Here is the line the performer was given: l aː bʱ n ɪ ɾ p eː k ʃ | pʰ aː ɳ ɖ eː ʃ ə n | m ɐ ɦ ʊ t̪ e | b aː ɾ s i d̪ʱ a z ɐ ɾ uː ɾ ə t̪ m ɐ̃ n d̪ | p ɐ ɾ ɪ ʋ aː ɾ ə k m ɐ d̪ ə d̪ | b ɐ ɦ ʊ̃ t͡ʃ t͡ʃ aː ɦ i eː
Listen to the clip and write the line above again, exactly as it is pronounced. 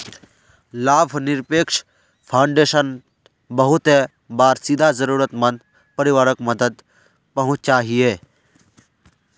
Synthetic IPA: l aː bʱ n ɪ ɾ p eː k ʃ | pʰ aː ɳ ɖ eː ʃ ə n | b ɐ ɦ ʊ t̪ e | b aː ɾ s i d̪ʱ a z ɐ ɾ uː ɾ ə t̪ m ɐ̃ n d̪ | p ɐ ɾ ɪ ʋ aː ɾ ə k m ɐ d̪ ə d̪ | p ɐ ɦ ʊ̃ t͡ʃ t͡ʃ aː ɦ i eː